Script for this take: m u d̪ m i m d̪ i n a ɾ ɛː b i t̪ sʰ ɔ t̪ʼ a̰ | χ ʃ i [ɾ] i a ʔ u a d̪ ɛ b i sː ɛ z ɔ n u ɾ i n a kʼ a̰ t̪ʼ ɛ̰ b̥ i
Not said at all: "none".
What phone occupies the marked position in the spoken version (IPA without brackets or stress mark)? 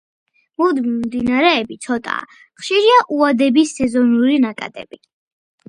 ɾ